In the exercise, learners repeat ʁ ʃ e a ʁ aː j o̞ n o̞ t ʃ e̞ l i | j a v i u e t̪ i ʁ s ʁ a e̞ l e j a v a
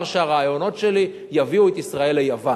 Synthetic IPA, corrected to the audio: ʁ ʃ e a ʁ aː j o̞ n o̞ t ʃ e̞ l i | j a v i u e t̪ i s ʁ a e̞ l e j a v a